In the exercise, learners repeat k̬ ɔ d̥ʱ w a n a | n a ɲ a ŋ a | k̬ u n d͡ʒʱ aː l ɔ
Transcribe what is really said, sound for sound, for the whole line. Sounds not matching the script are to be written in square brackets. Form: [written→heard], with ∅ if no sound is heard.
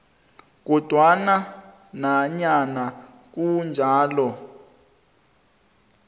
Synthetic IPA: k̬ ɔ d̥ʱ w a n a | n a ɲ a [ŋ→n] a | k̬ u n d͡ʒʱ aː l ɔ